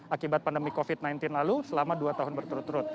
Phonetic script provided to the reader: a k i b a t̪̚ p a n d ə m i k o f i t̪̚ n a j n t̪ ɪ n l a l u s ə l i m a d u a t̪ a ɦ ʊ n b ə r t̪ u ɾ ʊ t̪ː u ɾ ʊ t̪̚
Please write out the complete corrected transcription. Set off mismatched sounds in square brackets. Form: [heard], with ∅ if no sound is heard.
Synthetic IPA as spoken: a k i b a t̪̚ p a n d ə m i k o f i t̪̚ n a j n t̪ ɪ n l a l u s ə l [a] m a d u a t̪ a ɦ ʊ n b ə r t̪ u ɾ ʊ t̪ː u ɾ ʊ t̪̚

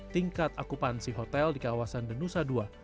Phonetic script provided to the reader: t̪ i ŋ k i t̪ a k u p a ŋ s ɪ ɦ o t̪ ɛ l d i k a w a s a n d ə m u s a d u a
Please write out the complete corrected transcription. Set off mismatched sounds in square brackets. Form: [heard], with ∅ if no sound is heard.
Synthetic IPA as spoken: t̪ i ŋ k [a] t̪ a k u p a [n] s [i] ɦ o t̪ ɛ l d i k a w a s a n d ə [n] u s a d u a

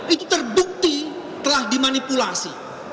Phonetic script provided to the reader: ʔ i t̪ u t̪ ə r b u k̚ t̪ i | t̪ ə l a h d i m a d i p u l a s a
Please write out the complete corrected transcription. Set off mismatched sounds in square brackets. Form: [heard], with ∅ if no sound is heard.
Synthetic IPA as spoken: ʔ i t̪ u t̪ ə r b u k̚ t̪ i | t̪ ə l a h d i m a [n] i p u l a s [i]

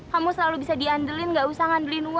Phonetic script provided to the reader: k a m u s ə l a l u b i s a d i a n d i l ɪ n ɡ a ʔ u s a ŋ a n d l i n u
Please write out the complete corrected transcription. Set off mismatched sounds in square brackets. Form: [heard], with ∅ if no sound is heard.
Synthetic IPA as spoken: k a m u s ə l a l u b i s a d i a n d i l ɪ n ɡ a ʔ u s a ŋ a n d l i n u

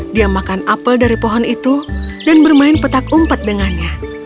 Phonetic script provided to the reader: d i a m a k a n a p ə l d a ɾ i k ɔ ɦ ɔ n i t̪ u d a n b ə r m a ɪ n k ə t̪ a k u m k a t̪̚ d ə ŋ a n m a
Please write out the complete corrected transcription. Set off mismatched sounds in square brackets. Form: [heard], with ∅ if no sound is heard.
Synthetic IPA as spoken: d i a m a k a n a p ə l d a ɾ i [p] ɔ ɦ ɔ n i t̪ u d a n b ə r m a ɪ n [p] ə t̪ a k u m [p] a t̪̚ d ə ŋ a n [ɲ] a

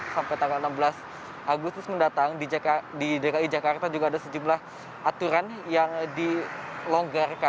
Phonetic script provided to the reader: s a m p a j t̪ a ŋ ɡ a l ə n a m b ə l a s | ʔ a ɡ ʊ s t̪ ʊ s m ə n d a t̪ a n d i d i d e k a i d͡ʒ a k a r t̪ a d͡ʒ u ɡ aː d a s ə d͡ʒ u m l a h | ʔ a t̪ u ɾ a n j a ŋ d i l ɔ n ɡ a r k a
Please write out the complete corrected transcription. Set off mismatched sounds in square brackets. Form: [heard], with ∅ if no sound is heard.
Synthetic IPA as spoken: s a m p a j t̪ a ŋ ɡ a l ə n a m b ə l a s | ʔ a ɡ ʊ s t̪ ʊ s m ə n d a t̪ a [ŋ] d i d i d e k a i d͡ʒ a k a r t̪ a d͡ʒ u ɡ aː d a s ə d͡ʒ u m l a h | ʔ a t̪ u ɾ a n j a ŋ d i l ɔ [ŋ] ɡ a r k a

